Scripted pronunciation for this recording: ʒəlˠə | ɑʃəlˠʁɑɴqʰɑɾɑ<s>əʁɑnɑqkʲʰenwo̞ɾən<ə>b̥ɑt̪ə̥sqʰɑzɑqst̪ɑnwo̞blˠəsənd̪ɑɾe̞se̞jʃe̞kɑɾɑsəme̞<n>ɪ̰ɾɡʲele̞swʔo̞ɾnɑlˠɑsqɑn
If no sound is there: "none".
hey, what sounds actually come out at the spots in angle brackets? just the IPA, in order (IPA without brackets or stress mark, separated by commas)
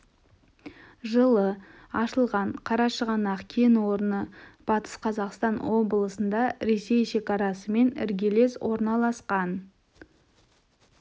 ʃ, ə, n